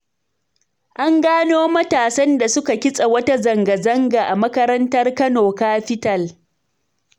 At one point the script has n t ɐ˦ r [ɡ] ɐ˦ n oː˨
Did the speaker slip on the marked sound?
yes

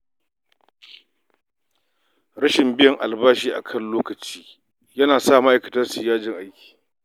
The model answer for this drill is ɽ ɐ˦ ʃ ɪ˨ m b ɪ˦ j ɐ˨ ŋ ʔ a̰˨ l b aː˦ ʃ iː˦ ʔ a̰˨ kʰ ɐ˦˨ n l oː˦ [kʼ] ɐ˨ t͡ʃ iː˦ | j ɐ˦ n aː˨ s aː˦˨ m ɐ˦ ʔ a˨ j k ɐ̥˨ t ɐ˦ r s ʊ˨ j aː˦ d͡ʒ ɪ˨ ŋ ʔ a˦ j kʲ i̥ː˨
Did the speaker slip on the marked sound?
yes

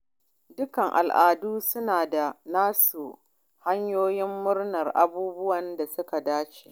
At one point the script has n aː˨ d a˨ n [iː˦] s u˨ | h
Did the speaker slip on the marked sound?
yes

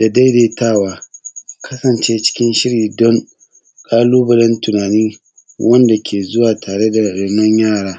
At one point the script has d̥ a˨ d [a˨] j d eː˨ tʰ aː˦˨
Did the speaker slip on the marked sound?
yes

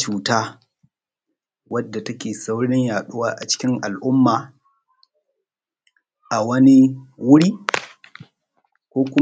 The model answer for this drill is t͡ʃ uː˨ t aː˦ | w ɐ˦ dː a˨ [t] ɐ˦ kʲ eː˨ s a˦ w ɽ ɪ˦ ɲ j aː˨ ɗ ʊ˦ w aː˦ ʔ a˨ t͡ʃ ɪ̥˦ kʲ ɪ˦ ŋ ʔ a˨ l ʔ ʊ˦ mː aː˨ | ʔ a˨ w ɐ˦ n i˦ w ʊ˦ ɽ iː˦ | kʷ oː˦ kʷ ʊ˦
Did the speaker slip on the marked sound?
no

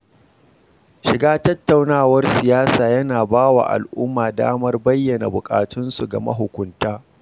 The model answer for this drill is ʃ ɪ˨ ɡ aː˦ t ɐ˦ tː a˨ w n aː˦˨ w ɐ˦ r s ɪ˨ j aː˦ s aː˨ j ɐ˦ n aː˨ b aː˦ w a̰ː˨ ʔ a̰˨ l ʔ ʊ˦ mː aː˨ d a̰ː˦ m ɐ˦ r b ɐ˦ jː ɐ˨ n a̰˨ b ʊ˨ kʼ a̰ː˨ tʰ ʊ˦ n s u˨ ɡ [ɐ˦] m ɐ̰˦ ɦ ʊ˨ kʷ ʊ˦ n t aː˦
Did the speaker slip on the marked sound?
yes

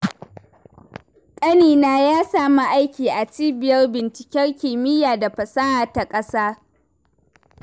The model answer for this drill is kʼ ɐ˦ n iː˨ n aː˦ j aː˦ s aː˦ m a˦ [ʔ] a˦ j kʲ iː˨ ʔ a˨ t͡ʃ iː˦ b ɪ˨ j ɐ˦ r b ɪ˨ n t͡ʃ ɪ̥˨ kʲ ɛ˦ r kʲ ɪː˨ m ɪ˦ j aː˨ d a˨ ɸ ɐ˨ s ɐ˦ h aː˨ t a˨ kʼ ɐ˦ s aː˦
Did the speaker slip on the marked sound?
no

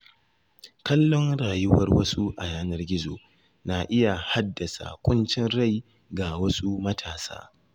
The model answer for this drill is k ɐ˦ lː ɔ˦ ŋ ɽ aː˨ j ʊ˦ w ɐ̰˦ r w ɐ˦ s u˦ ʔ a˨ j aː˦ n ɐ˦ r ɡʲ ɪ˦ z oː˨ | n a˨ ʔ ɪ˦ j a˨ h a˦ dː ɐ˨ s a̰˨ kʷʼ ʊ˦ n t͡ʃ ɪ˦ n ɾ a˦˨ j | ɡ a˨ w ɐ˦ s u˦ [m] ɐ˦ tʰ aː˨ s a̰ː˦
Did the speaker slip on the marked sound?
no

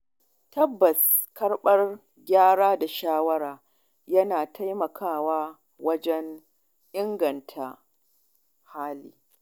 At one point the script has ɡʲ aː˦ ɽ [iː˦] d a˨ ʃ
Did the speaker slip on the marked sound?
yes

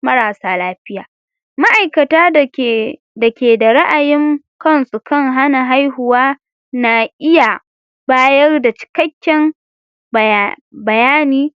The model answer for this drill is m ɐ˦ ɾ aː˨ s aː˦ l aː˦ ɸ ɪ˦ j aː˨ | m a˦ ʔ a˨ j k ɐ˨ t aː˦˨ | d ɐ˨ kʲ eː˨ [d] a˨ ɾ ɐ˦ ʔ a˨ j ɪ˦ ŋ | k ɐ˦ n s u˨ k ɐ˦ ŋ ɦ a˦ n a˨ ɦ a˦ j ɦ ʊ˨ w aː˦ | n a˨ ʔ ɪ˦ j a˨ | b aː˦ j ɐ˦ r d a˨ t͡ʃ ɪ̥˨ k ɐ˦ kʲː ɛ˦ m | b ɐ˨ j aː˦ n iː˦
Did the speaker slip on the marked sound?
no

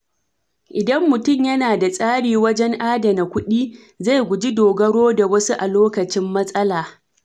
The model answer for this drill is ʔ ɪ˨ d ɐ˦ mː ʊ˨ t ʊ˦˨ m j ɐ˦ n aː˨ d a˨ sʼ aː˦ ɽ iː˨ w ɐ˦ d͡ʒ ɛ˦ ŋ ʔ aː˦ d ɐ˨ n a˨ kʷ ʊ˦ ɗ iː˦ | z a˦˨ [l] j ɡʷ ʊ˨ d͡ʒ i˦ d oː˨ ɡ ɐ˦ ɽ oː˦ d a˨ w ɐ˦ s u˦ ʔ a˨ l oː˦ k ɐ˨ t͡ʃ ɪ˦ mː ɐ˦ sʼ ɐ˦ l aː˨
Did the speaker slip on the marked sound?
yes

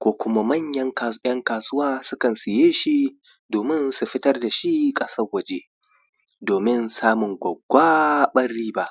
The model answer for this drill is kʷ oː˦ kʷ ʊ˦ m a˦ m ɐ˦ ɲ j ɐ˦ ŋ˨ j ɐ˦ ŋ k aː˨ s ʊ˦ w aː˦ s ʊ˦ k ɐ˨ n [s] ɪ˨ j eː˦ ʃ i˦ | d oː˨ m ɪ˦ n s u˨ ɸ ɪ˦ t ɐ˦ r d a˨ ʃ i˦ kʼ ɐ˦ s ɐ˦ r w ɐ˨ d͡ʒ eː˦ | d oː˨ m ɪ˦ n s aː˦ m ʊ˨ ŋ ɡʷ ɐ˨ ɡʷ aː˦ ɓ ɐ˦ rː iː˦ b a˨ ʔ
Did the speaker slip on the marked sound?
no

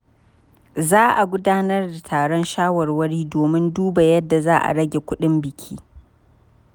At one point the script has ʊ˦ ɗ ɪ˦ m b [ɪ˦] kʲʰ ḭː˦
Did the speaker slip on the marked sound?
yes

